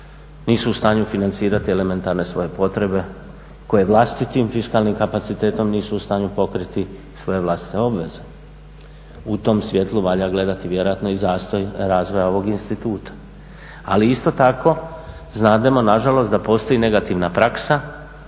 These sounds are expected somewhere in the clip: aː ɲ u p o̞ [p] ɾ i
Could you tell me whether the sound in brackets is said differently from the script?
yes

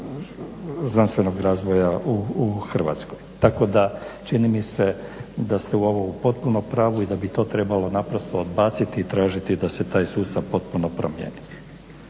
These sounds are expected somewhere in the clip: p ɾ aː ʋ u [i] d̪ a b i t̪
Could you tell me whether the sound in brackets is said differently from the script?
no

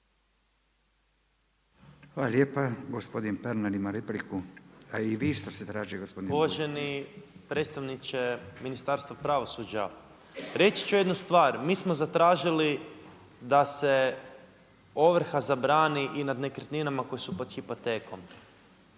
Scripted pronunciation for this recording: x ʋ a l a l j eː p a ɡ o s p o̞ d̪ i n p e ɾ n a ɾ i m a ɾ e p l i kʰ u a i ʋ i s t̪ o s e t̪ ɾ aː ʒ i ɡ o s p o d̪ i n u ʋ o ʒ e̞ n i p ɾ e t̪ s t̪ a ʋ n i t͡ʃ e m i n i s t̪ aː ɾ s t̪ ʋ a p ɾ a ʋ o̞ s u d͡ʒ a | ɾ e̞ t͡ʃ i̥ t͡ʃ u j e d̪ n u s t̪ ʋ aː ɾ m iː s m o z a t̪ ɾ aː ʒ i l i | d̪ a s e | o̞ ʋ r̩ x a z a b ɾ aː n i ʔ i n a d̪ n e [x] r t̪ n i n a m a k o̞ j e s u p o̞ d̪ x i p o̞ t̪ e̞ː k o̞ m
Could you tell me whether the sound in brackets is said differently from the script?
yes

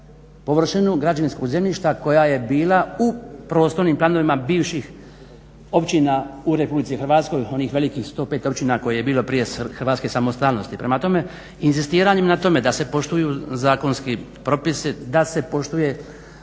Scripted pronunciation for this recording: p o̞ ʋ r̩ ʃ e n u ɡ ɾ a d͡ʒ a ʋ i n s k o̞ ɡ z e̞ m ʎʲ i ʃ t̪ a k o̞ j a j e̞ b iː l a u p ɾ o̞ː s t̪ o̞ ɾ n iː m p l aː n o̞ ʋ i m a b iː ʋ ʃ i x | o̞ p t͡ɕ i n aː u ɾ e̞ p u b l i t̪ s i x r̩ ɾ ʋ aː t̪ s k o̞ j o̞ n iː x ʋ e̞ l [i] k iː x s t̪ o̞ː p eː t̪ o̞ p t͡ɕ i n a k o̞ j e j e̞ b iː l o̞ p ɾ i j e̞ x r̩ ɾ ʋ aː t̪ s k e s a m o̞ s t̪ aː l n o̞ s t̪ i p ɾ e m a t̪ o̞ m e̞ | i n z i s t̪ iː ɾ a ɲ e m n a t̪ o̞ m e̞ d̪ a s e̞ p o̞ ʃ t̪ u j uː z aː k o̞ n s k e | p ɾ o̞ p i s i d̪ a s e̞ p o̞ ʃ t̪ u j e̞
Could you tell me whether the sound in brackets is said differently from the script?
no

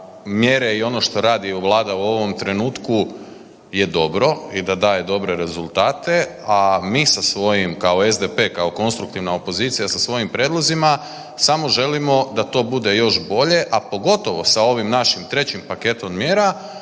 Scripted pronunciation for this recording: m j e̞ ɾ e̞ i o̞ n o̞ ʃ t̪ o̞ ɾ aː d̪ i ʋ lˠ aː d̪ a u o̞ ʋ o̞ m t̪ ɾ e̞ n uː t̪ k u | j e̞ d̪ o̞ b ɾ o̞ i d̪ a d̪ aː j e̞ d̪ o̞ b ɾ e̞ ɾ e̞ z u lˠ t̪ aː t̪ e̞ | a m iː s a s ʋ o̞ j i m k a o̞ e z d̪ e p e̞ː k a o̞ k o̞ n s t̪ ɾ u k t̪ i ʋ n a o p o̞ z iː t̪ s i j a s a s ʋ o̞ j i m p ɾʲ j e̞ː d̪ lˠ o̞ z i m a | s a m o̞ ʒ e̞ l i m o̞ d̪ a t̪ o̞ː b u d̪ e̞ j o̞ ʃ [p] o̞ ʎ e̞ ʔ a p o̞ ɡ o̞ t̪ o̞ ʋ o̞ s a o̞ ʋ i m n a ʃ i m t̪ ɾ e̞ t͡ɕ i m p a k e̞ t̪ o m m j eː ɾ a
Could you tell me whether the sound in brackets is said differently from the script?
yes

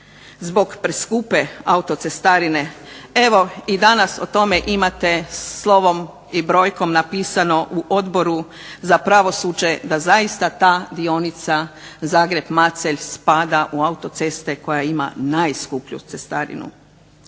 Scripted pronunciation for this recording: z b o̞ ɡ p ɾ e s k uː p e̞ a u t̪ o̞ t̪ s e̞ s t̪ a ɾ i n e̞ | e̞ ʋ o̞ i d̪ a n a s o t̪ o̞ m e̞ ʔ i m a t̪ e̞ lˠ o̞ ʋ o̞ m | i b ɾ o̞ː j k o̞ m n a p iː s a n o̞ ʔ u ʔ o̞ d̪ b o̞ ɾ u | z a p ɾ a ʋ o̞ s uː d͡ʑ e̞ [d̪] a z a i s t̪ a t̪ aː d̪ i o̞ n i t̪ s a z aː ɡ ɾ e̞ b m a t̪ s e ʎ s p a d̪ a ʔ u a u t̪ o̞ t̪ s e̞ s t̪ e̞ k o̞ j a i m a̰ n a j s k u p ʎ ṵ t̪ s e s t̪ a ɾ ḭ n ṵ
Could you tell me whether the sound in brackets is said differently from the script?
no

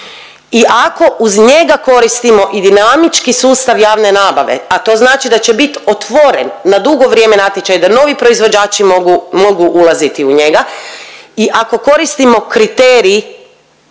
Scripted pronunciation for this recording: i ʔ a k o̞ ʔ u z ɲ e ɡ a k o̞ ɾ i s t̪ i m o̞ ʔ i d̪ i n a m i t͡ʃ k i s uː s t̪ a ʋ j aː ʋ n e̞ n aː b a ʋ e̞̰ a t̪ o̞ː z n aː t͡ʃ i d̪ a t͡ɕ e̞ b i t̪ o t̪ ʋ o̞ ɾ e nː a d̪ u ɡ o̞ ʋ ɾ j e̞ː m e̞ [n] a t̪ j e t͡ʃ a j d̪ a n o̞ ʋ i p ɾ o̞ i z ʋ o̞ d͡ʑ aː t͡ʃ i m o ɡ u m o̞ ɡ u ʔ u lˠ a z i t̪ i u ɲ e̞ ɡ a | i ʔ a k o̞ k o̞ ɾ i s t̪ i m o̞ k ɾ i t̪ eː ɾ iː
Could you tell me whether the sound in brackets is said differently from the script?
no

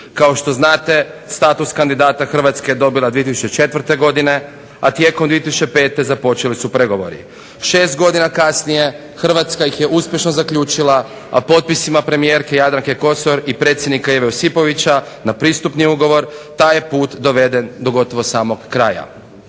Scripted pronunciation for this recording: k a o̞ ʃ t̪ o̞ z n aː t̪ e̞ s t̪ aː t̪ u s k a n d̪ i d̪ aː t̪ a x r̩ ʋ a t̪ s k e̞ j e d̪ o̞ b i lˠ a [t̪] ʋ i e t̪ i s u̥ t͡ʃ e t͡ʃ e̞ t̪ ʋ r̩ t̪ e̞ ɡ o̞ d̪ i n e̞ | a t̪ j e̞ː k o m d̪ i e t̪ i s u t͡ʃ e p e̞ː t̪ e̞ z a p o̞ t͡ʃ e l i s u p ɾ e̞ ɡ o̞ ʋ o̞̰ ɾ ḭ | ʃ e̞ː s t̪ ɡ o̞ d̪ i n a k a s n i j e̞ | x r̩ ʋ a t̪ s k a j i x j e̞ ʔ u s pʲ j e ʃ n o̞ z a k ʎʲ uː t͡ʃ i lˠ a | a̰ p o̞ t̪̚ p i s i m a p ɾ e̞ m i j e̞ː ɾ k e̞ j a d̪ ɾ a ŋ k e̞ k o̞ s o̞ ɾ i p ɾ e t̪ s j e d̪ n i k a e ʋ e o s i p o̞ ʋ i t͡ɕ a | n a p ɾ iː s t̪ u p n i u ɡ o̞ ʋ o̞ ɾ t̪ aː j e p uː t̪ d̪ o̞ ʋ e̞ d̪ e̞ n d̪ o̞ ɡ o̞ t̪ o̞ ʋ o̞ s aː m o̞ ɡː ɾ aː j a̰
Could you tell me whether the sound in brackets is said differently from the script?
yes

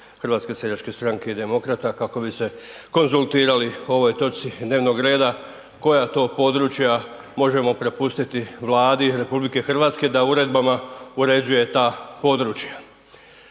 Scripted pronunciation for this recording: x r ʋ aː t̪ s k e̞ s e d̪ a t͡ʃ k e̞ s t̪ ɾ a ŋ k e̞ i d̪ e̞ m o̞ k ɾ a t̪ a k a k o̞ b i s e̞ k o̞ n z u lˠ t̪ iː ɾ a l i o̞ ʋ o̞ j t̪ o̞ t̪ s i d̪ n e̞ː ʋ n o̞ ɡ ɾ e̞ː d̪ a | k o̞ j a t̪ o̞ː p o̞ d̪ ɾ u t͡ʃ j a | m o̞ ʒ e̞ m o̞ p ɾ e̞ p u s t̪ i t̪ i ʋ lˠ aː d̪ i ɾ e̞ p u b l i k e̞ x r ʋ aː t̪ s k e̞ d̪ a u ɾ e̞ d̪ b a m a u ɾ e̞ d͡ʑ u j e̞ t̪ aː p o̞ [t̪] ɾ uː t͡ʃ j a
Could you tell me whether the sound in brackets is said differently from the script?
yes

